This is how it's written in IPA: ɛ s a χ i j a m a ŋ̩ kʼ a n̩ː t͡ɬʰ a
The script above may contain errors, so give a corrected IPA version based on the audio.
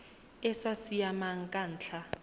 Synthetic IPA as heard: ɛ s a s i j a m a ŋ̩ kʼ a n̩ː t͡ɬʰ a